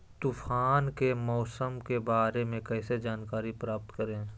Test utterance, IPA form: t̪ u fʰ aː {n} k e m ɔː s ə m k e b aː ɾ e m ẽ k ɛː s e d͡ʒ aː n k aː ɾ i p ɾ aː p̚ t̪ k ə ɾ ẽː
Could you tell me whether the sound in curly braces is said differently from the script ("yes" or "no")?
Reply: no